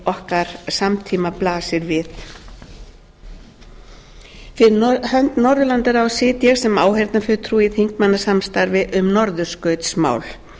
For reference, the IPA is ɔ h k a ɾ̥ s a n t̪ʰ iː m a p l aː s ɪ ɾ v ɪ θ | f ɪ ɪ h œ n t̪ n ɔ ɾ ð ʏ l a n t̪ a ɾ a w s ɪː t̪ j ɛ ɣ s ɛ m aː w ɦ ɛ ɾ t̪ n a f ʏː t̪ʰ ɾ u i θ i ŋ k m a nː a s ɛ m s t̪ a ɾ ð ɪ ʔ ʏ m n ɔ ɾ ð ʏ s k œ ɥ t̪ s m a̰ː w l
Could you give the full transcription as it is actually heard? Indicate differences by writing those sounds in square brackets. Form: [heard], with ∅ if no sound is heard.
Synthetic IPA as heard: ɔ h k a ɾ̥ s a [m] t̪ʰ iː m a p l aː s ɪ ɾ v ɪ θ | f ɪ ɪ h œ n t̪ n ɔ ɾ ð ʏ l a n t̪ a ɾ a w s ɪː t̪ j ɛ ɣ s ɛ m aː w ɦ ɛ ɾ t̪ n a f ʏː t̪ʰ ɾ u i θ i ŋ k m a nː a s [a] m s t̪ a ɾ [v] ɪ ʔ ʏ m n ɔ ɾ ð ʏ s k œ ɥ t̪ s m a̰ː w l